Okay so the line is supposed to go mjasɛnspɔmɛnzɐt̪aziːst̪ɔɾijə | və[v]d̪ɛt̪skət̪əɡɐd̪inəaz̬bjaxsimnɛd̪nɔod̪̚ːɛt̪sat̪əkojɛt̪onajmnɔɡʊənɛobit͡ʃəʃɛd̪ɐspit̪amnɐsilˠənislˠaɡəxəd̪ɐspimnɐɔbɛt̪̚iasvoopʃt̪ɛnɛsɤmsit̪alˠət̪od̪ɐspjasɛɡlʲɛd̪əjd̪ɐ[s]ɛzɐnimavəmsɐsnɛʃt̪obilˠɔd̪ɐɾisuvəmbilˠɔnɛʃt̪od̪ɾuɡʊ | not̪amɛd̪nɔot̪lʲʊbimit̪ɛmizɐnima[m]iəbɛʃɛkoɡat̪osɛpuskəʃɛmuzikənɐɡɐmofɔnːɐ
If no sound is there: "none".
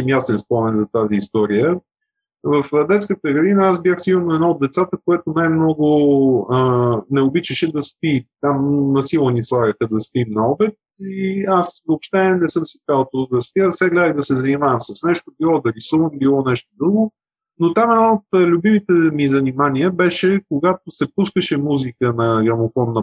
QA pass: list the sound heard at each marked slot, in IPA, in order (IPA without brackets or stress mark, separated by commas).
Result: f, s, n